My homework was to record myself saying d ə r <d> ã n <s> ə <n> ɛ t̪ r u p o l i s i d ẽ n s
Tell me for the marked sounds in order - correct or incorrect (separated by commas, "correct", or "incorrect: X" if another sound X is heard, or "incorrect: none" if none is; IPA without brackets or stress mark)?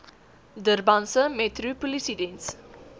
incorrect: b, correct, incorrect: m